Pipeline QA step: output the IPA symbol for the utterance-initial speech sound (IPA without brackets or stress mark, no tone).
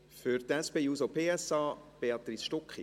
f